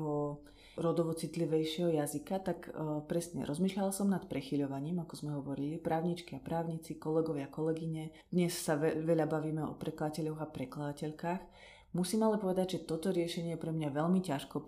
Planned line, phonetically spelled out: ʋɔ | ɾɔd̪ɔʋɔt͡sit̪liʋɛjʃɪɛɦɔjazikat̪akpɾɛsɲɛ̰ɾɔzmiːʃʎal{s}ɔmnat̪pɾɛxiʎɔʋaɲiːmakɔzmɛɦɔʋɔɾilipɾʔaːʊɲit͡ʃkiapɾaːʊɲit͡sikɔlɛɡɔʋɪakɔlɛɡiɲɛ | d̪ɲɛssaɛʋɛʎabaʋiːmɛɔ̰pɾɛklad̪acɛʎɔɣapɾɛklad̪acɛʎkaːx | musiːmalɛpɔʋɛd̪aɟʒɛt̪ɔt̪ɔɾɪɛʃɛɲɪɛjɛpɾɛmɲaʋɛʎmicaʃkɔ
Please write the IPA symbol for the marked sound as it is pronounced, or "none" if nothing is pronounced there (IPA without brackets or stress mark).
s